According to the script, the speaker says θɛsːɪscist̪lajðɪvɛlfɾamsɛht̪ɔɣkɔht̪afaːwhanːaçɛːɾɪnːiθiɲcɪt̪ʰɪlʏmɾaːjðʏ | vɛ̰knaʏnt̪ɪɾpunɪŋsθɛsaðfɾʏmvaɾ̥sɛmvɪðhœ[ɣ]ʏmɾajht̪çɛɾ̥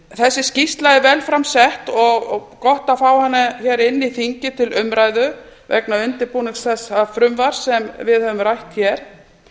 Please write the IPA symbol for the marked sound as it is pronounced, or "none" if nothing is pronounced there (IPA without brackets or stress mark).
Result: v